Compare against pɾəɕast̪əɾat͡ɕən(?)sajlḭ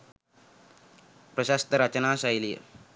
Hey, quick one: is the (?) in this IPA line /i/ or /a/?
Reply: a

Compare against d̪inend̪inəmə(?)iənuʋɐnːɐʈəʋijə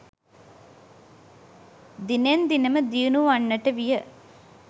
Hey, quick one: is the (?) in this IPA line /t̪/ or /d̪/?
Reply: d̪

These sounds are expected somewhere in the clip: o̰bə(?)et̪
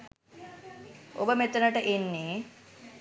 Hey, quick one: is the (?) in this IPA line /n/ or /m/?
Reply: m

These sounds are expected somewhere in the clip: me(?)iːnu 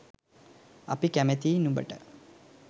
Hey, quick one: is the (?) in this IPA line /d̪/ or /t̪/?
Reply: t̪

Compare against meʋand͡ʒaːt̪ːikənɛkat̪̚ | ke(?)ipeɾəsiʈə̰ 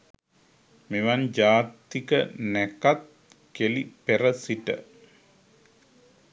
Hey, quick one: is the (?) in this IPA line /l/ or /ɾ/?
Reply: l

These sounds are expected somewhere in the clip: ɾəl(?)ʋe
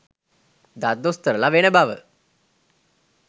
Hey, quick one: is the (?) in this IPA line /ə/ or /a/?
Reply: a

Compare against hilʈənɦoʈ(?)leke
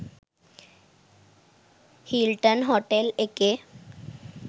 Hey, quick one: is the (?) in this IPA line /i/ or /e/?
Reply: e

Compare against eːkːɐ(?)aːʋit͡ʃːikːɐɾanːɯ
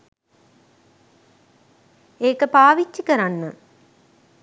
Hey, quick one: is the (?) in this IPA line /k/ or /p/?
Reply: p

